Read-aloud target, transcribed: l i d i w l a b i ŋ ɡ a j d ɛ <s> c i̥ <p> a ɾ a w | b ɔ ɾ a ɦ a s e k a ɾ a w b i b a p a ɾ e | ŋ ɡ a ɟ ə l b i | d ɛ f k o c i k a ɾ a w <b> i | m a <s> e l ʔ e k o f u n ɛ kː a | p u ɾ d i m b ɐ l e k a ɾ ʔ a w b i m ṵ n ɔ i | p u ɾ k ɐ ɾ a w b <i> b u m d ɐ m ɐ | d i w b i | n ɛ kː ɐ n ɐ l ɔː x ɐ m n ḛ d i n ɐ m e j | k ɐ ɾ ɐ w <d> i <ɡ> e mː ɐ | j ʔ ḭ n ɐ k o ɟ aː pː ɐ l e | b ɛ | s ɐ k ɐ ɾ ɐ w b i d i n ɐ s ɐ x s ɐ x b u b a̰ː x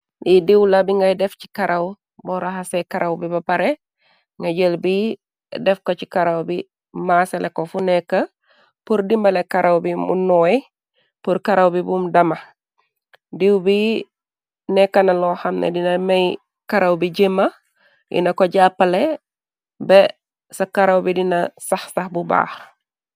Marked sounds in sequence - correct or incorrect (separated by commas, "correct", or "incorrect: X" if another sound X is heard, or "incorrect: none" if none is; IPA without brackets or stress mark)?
incorrect: f, incorrect: k, correct, correct, correct, incorrect: b, incorrect: ɟ